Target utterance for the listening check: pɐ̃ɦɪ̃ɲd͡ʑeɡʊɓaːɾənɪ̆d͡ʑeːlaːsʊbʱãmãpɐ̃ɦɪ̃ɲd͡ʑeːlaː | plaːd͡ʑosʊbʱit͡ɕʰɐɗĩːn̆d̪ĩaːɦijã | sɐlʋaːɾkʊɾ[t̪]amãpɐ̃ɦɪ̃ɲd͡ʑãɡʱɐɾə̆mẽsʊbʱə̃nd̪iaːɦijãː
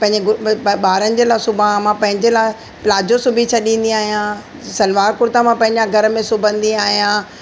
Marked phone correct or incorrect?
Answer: correct